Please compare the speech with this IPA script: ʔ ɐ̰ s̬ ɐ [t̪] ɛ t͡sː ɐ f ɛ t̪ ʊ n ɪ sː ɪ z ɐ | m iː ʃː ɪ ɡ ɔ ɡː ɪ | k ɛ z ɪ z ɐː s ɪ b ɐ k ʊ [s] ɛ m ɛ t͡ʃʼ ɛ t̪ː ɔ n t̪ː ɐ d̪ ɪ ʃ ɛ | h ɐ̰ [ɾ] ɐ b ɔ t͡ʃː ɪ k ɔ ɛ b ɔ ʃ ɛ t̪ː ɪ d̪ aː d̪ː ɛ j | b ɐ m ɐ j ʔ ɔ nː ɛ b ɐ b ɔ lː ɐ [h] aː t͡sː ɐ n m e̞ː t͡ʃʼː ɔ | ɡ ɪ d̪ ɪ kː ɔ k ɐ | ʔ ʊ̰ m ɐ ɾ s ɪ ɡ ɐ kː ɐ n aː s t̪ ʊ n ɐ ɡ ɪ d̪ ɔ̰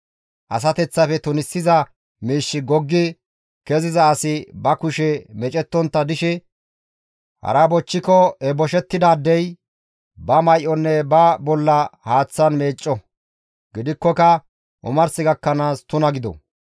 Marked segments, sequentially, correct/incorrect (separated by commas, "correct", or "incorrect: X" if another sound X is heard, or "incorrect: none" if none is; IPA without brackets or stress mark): correct, incorrect: ʃ, correct, correct